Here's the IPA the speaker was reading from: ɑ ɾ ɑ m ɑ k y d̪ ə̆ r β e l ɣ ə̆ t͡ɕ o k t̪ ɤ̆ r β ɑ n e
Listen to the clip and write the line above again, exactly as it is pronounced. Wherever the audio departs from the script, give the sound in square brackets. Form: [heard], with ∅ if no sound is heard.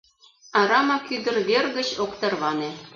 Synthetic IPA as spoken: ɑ ɾ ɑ m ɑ k y d̪ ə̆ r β e [r] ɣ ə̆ t͡ɕ o k t̪ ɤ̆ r β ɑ n e